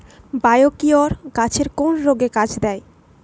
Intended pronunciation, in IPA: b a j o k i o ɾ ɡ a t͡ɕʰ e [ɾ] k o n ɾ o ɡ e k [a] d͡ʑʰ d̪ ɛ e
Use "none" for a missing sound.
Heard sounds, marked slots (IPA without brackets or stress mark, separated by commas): ɾ, a